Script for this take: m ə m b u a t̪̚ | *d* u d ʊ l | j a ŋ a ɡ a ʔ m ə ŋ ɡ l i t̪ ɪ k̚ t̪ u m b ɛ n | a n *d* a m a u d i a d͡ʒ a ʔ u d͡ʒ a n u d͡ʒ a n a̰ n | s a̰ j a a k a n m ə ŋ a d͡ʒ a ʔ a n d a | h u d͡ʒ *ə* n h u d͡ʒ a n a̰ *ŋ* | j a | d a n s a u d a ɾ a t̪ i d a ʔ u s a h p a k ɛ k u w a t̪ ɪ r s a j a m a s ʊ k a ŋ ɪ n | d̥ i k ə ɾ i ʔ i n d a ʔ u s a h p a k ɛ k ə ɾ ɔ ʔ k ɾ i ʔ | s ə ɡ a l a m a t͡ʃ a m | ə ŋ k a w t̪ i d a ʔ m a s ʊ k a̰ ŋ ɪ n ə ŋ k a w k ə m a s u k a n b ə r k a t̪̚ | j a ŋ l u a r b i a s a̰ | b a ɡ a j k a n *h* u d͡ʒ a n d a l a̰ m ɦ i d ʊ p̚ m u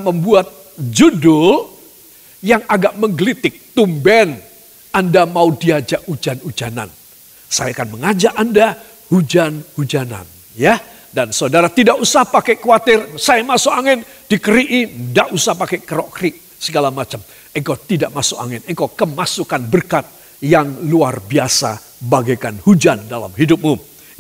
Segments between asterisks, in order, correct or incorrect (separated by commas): incorrect, correct, incorrect, incorrect, correct